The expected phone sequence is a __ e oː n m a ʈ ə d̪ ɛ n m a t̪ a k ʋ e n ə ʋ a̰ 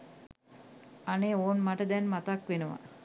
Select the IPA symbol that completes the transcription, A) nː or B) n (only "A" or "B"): B